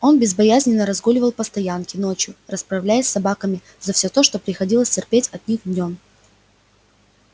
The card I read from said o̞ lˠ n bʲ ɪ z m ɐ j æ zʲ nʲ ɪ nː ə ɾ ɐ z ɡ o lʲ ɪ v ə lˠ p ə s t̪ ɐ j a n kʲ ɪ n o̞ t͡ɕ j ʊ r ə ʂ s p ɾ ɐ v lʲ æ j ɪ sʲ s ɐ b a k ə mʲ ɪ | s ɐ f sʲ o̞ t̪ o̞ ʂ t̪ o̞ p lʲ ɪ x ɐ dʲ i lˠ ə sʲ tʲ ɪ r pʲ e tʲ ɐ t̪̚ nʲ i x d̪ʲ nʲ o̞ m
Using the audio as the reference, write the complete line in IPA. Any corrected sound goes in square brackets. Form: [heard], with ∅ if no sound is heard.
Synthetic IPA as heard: o̞ [∅] n bʲ ɪ z [b] ɐ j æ zʲ nʲ ɪ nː ə ɾ ɐ z ɡ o lʲ ɪ v ə lˠ p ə s t̪ ɐ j a n kʲ ɪ n o̞ t͡ɕ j ʊ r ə [∅] s p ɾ ɐ v lʲ æ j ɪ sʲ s ɐ b a k ə mʲ ɪ | [z] ɐ f sʲ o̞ t̪ o̞ ʂ t̪ o̞ p [ɾʲ] ɪ x ɐ dʲ i lˠ ə sʲ tʲ ɪ r pʲ e tʲ ɐ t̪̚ nʲ i x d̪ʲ nʲ o̞ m